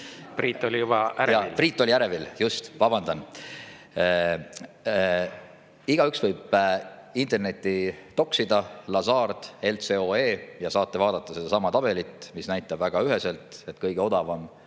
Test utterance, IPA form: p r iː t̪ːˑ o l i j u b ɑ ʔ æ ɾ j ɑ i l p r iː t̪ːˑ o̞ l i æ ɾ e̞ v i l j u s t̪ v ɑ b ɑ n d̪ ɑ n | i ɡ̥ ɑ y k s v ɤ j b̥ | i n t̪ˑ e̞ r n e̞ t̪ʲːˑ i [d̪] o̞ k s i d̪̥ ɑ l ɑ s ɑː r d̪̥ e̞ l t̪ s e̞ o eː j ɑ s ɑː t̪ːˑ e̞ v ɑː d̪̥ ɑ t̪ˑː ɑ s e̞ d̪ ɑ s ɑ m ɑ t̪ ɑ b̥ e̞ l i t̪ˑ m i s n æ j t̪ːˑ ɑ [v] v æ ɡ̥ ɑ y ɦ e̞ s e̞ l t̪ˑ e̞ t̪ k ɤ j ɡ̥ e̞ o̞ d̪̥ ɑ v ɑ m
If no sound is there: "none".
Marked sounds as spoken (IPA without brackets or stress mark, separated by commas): t̪, b